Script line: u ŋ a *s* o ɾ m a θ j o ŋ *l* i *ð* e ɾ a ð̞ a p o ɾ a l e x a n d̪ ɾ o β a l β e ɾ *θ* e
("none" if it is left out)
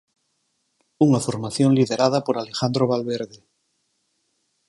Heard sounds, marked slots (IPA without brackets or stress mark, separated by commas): f, l, ð, ð